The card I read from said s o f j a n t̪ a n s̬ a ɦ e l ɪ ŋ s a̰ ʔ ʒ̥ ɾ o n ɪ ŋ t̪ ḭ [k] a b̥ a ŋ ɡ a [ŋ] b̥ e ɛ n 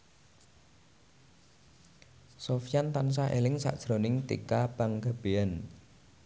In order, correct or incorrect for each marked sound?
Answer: correct, incorrect: none

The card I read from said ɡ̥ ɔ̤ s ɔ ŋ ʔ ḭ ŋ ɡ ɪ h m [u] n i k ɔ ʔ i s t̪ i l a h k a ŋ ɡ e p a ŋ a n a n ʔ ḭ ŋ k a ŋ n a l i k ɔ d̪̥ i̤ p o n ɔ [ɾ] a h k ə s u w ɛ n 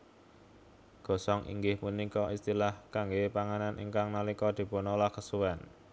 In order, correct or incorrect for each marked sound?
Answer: correct, incorrect: l

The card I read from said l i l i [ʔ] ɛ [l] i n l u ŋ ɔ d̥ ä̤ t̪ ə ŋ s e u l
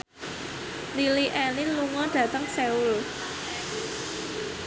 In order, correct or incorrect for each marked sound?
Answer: correct, correct

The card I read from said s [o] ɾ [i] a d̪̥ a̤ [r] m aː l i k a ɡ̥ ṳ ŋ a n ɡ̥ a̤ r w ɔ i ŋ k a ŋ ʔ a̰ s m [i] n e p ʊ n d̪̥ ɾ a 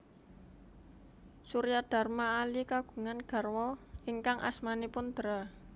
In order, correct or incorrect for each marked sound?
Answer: incorrect: u, incorrect: j, correct, incorrect: a

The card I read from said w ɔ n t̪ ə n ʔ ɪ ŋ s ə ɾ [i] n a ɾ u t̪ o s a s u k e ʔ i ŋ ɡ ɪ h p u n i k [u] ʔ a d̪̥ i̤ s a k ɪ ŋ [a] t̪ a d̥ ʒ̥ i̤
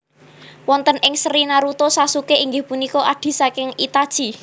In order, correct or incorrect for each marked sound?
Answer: correct, incorrect: ɔ, incorrect: i

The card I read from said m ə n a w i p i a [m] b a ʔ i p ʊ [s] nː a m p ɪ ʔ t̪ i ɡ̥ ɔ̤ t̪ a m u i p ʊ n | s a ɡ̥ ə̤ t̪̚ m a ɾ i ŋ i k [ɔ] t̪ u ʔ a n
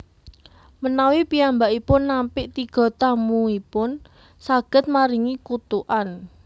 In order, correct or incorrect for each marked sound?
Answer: correct, incorrect: none, incorrect: u

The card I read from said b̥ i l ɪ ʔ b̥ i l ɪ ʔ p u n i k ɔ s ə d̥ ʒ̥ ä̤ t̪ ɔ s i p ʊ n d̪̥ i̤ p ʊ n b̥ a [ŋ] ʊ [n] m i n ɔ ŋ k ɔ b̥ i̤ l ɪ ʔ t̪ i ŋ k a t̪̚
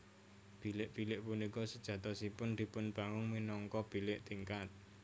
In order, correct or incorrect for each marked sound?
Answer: correct, incorrect: ŋ

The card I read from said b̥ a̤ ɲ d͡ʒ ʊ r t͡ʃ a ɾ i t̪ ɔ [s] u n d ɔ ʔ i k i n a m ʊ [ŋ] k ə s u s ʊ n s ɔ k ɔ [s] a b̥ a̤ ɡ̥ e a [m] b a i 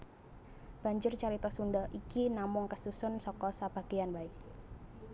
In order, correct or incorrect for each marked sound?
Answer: correct, correct, correct, incorrect: n

